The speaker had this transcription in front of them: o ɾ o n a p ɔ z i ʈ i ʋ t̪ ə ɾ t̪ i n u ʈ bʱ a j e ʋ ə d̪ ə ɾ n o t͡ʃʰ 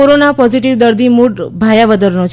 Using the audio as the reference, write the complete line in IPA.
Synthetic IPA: o ɾ o n a p ɔ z i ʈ i ʋ d̪ ə ɾ d̪ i m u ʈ bʱ a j a ʋ ə d̪ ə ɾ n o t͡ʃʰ